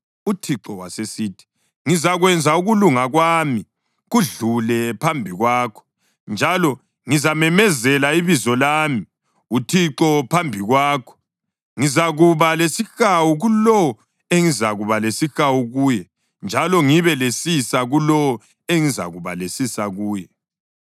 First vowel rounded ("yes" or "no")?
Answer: yes